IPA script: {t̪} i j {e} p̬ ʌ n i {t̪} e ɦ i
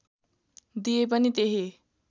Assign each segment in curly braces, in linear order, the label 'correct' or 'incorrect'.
incorrect: d̪, correct, correct

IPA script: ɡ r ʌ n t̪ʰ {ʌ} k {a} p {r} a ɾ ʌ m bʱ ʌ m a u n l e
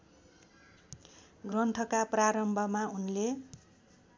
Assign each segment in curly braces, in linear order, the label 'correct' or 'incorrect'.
correct, correct, correct

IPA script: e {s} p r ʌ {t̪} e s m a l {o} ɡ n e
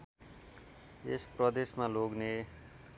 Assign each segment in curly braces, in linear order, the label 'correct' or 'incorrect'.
correct, incorrect: d̪, correct

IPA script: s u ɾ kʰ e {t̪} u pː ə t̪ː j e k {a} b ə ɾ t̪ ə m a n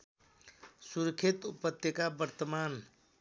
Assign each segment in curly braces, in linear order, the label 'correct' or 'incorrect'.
correct, correct

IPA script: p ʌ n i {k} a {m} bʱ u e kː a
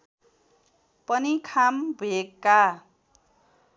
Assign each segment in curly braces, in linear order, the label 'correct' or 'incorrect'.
incorrect: kʰ, correct

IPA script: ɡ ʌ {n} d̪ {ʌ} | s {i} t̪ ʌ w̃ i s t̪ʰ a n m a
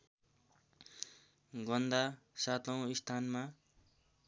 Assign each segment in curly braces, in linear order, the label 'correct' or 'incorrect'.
correct, incorrect: a, incorrect: a

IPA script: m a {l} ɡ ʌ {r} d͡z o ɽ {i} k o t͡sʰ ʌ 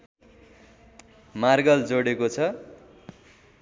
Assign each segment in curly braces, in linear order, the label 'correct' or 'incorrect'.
incorrect: r, incorrect: l, incorrect: e

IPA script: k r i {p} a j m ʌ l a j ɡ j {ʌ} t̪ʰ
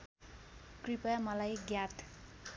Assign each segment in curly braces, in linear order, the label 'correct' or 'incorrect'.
correct, incorrect: a

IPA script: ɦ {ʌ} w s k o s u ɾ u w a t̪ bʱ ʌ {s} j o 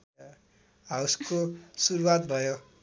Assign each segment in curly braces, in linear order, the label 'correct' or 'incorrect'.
incorrect: a, incorrect: none

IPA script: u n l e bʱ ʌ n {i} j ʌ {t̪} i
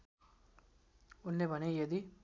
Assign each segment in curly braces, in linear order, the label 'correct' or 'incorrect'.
incorrect: e, incorrect: d̪

